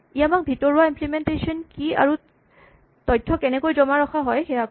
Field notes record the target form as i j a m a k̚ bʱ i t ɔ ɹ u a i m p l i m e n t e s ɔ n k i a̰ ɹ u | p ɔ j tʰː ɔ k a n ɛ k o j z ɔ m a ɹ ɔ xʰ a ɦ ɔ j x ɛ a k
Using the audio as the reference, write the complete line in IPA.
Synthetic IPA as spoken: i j a m a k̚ bʱ i t ɔ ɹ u a i m p l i m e n t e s ɔ n k i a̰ ɹ u | t ɔ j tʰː ɔ k ɛ n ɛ k o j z ɔ m a ɹ ɔ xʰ a ɦ ɔ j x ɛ a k

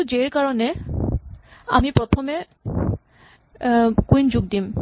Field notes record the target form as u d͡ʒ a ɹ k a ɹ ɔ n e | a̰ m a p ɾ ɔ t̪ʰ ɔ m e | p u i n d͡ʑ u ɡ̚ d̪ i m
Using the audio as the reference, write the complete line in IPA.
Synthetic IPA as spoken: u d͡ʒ e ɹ k a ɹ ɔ n e | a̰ m i p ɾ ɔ t̪ʰ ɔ m e | k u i n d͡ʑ u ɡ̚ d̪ i m

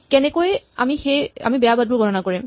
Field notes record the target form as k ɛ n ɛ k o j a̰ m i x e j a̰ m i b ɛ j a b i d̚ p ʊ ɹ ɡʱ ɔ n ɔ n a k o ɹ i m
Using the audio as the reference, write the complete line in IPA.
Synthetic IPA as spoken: k ɛ n ɛ k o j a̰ m i x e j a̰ m i b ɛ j a b a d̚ b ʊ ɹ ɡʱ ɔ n ɔ n a k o ɹ i m

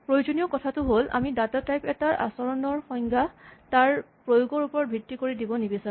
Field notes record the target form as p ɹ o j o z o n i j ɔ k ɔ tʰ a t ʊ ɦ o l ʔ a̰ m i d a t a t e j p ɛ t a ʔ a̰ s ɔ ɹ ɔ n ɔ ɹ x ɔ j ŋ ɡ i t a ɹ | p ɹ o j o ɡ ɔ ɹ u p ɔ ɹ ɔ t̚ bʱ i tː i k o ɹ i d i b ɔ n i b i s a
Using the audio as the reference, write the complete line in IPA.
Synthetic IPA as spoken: p ɹ o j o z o n i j ɔ k ɔ tʰ a t ʊ ɦ o l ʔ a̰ m i d a t a t a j p ɛ t a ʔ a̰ s ɔ ɹ ɔ n ɔ ɹ x ɔ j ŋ ɡ a t a ɹ | p ɹ o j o ɡ ɔ ɹ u p ɔ ɹ ɔ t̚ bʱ i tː i k o ɹ i d i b ɔ n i b i s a

